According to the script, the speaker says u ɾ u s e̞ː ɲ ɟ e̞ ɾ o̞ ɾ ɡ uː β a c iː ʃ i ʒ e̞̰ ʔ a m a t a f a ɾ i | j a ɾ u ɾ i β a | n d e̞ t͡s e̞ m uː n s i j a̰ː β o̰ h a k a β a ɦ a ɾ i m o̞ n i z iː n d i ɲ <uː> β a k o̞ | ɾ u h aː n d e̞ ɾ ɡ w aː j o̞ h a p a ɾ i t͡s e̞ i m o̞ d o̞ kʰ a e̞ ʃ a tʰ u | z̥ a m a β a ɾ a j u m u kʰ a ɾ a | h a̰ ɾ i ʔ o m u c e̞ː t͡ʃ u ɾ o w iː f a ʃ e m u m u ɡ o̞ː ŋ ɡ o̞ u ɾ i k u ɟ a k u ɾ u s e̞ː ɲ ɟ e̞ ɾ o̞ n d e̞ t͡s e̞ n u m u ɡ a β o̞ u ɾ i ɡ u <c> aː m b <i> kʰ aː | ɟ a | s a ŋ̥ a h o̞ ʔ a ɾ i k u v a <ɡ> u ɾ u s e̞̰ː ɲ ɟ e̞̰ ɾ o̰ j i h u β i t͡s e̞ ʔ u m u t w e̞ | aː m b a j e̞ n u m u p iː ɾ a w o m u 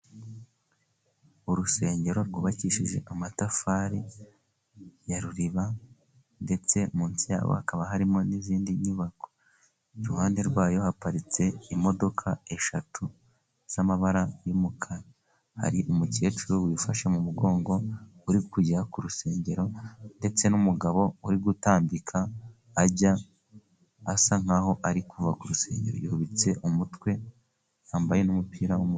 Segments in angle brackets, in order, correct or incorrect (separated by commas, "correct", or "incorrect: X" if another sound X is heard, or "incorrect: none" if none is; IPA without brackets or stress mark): incorrect: u, incorrect: t, correct, incorrect: k